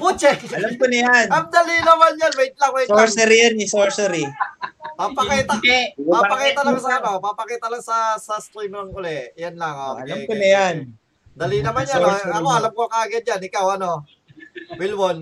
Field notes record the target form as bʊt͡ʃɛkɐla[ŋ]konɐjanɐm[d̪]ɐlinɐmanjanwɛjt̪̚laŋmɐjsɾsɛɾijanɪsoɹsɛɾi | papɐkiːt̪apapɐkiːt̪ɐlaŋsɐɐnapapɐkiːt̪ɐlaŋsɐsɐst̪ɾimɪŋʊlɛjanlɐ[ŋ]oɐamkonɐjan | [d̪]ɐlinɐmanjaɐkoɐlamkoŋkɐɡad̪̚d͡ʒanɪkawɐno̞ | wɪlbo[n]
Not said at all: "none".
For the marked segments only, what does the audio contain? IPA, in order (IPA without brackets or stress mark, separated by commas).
m, d̪, ŋ, d̪, n